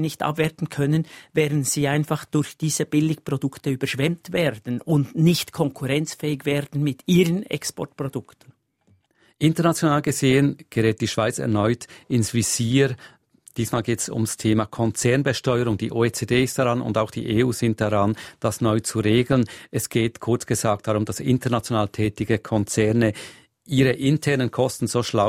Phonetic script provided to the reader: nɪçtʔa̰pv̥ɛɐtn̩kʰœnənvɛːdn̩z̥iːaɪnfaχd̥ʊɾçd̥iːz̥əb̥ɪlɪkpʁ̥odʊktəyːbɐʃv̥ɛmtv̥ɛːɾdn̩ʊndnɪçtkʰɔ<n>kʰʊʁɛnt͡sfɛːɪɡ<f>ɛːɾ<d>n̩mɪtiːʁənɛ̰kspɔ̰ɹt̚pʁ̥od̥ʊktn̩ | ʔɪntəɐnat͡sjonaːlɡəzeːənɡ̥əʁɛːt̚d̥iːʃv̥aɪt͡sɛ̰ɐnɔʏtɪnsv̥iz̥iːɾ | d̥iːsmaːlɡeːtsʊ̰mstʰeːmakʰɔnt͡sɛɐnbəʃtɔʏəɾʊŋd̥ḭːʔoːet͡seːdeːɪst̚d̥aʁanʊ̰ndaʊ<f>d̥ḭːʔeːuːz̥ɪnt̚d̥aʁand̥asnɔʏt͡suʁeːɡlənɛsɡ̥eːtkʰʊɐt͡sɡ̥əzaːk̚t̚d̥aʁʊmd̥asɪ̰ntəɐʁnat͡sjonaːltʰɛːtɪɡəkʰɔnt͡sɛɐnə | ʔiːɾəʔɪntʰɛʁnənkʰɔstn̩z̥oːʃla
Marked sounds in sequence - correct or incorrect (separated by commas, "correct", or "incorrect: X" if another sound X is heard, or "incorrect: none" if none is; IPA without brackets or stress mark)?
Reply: incorrect: ŋ, incorrect: v, correct, incorrect: x